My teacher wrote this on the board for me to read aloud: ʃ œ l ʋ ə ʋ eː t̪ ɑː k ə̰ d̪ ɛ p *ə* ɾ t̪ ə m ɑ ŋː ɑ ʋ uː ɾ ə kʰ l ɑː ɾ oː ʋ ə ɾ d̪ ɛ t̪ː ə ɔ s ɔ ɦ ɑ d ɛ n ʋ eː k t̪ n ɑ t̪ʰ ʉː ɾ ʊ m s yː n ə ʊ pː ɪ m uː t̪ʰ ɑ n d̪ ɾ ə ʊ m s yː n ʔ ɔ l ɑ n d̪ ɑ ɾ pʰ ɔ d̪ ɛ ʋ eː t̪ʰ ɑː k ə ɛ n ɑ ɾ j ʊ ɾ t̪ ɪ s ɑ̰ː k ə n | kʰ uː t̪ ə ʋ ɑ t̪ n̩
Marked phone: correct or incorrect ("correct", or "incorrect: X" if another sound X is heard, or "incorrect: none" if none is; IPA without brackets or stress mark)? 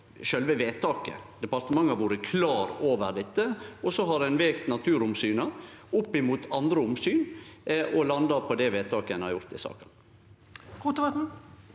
incorrect: ɑ